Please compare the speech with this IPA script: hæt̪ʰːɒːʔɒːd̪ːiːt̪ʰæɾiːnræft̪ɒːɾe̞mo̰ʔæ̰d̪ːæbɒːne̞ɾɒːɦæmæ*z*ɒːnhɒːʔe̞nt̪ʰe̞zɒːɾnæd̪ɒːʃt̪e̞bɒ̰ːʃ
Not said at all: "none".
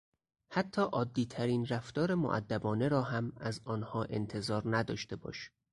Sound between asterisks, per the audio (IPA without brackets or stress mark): z